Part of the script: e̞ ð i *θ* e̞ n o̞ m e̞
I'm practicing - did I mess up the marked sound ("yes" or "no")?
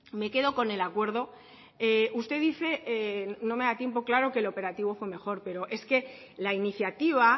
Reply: no